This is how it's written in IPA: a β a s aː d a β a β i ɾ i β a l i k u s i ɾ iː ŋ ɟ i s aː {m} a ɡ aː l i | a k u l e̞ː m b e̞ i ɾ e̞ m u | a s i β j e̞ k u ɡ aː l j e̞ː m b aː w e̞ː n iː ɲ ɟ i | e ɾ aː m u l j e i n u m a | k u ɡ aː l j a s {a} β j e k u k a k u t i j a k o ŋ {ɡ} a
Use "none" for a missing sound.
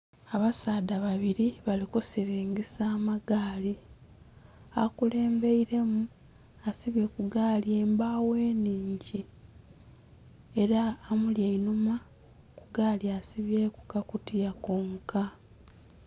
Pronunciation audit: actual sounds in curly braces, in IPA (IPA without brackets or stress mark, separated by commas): m, i, k